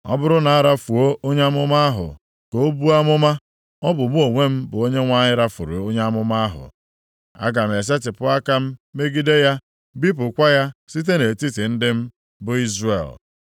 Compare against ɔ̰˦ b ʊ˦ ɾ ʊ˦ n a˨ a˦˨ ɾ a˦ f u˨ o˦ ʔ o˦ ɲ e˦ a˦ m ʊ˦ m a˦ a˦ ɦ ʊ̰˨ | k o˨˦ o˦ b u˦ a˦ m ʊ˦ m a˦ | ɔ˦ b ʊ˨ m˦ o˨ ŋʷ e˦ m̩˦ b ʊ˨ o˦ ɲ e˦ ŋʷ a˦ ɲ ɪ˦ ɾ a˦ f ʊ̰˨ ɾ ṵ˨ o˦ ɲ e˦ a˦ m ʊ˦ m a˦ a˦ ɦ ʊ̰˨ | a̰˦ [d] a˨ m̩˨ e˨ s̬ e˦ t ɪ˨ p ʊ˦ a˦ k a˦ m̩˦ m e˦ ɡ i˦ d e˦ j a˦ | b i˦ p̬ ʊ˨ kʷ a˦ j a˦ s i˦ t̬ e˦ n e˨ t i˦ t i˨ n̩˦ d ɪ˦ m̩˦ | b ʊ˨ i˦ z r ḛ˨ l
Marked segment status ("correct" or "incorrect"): incorrect